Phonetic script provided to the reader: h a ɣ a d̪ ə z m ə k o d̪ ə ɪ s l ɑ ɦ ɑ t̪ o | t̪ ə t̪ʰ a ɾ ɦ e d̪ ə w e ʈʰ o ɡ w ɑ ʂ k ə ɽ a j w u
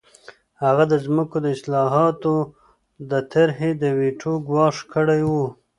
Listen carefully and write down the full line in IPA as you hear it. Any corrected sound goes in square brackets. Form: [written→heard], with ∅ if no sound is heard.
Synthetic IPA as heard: h a ɣ a d̪ ə z m ə k o d̪ ə ɪ s l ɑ ɦ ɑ t̪ o | [t̪→d̪] ə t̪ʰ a ɾ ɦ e d̪ ə w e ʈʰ o ɡ w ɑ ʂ k ə ɽ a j w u